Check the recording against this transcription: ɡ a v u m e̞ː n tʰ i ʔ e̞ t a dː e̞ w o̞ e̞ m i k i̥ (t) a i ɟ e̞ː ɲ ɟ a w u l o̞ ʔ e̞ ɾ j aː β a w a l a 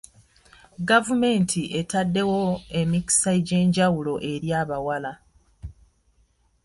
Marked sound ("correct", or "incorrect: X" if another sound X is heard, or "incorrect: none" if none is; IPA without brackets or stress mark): incorrect: s